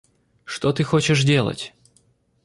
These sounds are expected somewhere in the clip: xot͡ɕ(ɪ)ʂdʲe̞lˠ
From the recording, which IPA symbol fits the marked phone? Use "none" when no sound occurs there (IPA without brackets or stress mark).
ɪ